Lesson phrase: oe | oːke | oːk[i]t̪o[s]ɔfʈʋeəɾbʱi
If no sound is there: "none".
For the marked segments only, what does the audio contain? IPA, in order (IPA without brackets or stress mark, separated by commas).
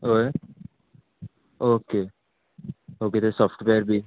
e, s